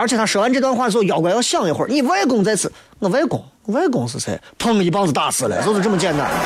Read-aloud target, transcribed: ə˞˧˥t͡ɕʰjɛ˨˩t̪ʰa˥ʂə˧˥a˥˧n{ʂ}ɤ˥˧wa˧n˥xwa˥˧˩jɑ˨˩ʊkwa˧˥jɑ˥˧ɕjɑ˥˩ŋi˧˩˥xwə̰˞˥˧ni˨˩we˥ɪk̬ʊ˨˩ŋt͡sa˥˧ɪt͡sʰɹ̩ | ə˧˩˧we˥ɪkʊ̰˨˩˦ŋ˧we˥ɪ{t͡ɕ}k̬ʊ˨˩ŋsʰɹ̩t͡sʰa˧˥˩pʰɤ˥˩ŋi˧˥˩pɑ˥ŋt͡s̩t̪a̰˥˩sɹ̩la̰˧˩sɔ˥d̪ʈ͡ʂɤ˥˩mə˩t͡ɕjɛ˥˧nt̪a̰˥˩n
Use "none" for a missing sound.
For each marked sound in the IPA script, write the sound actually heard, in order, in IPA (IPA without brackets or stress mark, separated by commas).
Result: ʈ͡ʂ, none